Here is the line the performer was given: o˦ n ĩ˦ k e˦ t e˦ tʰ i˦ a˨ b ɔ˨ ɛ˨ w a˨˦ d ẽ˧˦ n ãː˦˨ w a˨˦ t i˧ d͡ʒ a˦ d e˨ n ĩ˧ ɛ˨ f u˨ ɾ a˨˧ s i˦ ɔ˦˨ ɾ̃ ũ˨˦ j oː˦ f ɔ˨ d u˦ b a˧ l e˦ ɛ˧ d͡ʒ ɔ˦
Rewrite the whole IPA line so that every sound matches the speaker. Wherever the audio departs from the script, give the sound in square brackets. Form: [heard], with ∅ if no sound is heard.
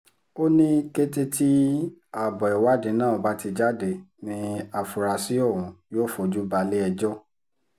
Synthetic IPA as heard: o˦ n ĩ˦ k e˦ t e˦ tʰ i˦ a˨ b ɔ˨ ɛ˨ w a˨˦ d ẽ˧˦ n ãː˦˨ [b] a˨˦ t i˧ d͡ʒ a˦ d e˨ n ĩ˧ [a˨] f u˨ ɾ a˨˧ s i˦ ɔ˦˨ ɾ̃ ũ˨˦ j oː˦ f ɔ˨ [d͡ʒ] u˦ b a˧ l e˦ ɛ˧ d͡ʒ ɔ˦